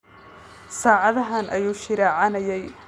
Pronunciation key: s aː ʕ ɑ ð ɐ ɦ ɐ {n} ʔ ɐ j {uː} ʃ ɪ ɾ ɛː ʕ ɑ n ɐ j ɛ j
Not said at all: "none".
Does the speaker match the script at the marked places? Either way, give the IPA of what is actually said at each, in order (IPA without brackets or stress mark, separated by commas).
n, uː